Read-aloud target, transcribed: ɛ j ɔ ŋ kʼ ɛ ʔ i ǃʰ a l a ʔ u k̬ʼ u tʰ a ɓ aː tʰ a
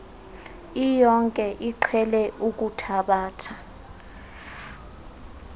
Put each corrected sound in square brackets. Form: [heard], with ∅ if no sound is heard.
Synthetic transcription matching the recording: [i] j ɔ ŋ kʼ ɛ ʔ i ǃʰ [ɛ] l [ɛ] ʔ u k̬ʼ u tʰ a ɓ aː tʰ a